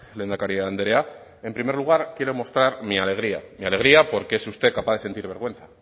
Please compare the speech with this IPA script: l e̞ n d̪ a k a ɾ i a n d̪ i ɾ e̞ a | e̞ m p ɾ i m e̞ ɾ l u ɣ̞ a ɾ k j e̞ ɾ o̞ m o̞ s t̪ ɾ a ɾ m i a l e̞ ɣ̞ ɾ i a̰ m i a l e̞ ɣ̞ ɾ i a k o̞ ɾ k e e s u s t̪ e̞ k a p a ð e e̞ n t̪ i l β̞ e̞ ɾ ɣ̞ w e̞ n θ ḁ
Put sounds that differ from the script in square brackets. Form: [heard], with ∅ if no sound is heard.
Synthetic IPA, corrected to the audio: l e̞ n d̪ a k a ɾ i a n d̪ [e] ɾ e̞ a | e̞ m p ɾ i m e̞ ɾ l u ɣ̞ a ɾ k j e̞ ɾ o̞ m o̞ s t̪ ɾ a ɾ m i a l e̞ ɣ̞ ɾ i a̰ m i a l e̞ ɣ̞ ɾ i a [p] o̞ ɾ k e e s u s t̪ e̞ k a p a ð e e̞ n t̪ i [ɾ] β̞ e̞ ɾ ɣ̞ w e̞ n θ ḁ